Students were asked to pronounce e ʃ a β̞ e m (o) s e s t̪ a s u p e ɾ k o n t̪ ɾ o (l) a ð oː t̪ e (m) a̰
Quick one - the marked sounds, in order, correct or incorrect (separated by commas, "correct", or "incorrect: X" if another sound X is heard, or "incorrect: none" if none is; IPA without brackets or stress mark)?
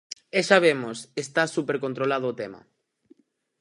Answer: correct, correct, correct